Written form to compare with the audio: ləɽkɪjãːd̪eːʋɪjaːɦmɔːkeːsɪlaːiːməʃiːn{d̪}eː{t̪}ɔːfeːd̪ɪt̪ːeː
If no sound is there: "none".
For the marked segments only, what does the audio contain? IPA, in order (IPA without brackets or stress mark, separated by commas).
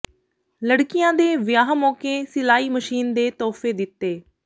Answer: d̪, t̪